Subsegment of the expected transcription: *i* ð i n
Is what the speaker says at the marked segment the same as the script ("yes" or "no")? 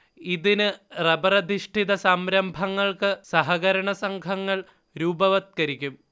yes